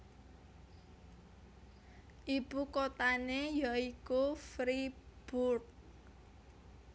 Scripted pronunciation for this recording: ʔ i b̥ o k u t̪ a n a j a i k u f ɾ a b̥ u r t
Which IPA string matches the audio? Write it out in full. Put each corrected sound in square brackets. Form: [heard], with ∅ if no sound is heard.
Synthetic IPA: ʔ i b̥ [u] k [o] t̪ a n [e] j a i k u f ɾ [i] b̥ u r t